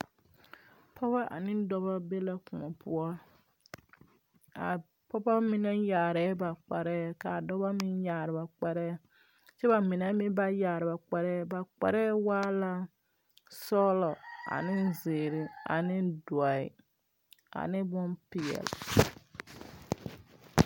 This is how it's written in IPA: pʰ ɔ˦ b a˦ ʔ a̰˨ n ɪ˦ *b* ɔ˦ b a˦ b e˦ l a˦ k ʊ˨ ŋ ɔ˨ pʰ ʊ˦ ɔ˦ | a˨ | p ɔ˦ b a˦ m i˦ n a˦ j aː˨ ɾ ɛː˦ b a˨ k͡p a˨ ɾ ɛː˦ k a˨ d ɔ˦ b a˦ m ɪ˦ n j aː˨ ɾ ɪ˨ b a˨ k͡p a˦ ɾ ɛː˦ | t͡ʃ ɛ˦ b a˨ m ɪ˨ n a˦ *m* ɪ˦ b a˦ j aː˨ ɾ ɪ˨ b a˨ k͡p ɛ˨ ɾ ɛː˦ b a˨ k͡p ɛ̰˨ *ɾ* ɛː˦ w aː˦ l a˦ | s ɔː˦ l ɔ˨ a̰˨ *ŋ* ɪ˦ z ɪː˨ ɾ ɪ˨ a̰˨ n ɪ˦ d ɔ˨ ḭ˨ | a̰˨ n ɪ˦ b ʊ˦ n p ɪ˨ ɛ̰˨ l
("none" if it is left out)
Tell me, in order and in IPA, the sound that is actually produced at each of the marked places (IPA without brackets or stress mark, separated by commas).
d, m, ɾ, n